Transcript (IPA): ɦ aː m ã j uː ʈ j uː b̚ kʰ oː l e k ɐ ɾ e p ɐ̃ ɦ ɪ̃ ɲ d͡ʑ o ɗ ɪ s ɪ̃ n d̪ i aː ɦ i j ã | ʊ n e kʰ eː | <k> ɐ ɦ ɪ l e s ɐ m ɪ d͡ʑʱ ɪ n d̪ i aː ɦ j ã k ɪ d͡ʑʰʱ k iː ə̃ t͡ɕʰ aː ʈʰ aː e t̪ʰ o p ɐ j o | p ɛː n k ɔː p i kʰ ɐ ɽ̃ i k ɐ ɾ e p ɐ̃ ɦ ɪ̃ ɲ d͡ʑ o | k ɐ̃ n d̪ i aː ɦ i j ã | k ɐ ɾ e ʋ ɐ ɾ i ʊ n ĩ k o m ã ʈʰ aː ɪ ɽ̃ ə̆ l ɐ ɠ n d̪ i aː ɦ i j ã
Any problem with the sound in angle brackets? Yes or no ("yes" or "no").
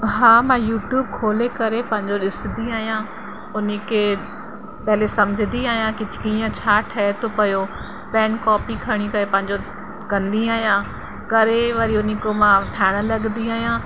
yes